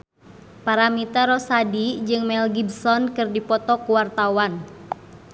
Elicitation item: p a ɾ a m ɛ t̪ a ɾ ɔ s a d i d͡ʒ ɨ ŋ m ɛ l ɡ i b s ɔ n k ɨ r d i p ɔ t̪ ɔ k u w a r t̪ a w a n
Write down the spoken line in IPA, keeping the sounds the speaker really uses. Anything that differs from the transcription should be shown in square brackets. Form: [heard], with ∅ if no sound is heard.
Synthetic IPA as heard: p a ɾ a m [i] t̪ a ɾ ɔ s a d i d͡ʒ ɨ ŋ m ɛ l ɡ i b s ɔ n k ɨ r d i p ɔ t̪ ɔ k u w a r t̪ a w a n